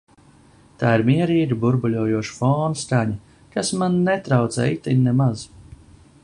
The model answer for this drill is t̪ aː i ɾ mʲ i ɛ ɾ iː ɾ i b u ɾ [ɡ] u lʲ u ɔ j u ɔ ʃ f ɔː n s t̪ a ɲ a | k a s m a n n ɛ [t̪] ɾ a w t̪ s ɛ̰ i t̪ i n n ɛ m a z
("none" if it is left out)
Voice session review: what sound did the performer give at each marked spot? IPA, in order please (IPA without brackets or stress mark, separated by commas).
b, t̪